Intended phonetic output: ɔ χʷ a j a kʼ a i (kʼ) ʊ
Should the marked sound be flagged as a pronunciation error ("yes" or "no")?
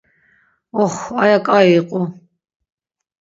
yes